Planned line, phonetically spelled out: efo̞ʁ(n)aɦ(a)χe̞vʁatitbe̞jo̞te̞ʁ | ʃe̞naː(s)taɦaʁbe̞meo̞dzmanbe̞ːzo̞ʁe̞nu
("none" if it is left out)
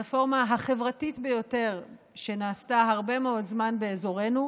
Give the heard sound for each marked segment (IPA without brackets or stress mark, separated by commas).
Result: m, a, s